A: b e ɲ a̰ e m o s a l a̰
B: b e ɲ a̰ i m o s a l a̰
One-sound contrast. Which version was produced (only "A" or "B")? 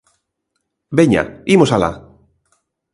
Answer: B